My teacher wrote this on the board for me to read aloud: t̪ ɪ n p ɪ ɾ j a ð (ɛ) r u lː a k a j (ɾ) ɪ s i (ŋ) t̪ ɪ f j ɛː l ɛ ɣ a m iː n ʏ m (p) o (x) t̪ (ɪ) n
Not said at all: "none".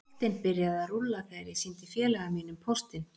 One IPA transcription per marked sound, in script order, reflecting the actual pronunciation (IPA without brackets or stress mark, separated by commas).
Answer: a, ɾ, n, pʰ, s, ɪ